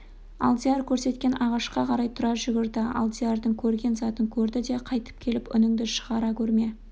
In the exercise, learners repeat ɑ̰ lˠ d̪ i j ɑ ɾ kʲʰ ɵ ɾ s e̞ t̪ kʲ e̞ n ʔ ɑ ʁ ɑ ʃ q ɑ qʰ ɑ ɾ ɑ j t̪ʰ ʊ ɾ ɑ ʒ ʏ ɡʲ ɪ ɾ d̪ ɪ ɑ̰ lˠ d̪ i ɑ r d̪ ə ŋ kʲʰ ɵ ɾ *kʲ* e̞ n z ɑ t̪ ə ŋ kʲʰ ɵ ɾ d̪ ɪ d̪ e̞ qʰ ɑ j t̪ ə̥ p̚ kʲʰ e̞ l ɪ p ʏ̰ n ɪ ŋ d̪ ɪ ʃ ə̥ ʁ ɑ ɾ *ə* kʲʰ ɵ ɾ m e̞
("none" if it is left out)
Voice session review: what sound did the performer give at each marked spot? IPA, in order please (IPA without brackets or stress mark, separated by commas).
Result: ɡʲ, ɑ